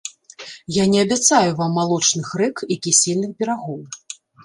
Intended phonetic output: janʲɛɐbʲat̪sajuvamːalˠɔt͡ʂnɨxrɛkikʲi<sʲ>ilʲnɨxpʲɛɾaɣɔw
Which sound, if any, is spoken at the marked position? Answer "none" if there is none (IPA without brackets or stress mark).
sʲ